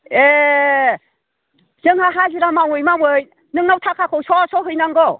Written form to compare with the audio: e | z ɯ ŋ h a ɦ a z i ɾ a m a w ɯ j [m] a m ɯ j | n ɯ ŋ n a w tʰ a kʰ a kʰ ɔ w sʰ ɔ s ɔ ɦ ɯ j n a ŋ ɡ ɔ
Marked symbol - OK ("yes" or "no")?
yes